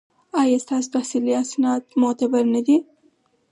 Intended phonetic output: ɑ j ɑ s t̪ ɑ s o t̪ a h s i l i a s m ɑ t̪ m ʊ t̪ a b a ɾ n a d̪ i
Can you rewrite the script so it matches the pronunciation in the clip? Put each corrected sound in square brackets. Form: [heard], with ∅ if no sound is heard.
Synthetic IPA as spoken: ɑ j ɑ s t̪ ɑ s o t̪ a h s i l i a s [n] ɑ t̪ m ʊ t̪ a b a ɾ n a d̪ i